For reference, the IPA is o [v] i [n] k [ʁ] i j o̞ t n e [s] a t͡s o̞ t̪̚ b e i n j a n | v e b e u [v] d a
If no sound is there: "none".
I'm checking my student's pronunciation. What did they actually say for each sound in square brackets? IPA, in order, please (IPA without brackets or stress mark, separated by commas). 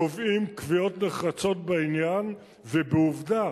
v, m, v, χ, v